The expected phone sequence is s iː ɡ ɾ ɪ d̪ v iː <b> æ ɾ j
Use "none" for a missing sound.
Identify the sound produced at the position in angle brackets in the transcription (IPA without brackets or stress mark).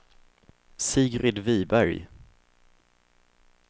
b